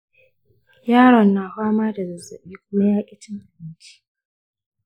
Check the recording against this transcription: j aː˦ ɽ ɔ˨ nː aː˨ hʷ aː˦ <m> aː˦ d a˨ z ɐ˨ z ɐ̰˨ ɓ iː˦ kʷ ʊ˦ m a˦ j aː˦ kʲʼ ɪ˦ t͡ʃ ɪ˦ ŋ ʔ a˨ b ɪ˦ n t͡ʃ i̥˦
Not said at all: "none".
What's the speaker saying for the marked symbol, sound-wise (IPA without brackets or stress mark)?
m